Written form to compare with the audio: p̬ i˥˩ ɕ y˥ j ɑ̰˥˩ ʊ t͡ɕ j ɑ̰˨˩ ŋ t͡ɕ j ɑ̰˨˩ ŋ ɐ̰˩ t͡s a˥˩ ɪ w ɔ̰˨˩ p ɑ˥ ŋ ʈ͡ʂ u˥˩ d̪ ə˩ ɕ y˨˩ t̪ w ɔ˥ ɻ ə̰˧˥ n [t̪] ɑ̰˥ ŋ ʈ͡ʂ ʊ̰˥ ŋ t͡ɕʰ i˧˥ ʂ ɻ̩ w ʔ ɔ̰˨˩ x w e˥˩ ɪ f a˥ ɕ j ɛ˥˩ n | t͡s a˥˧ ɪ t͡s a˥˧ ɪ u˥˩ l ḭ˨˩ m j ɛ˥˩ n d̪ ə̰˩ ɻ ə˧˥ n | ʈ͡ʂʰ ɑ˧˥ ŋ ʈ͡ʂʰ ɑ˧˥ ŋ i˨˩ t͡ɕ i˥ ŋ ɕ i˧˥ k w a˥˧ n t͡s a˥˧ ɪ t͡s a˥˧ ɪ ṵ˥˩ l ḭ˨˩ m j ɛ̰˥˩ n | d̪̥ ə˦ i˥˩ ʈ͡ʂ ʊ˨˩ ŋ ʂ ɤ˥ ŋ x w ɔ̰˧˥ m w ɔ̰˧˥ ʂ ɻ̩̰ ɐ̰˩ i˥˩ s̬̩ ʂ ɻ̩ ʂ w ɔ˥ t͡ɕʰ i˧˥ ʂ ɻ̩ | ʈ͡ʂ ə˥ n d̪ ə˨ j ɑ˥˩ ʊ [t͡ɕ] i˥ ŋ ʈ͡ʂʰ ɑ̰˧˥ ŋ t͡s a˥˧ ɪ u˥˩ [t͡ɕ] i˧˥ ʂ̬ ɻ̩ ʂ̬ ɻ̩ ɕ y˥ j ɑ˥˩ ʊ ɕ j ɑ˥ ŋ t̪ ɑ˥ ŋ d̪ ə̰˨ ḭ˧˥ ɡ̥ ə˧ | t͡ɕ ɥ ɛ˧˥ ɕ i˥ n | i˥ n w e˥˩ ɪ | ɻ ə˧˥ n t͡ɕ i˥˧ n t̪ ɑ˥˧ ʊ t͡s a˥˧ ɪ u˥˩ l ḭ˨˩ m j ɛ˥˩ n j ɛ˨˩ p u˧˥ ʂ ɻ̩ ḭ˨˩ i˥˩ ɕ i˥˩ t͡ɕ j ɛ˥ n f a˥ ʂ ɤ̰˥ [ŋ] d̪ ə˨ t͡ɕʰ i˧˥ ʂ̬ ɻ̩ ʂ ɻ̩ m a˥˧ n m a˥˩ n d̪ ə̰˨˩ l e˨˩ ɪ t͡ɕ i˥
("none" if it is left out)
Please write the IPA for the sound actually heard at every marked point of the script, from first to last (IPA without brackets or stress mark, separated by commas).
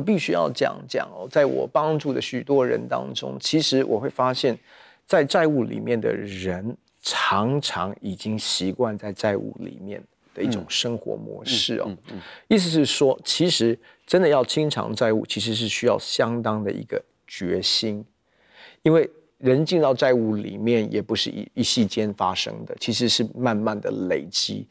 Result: t̪, t͡ɕʰ, t͡ɕʰ, ŋ